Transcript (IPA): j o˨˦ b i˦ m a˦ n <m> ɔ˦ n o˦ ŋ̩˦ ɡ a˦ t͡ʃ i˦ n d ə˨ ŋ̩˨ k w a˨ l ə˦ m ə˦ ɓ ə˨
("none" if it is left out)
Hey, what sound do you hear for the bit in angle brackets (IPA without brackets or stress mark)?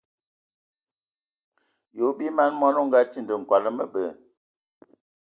m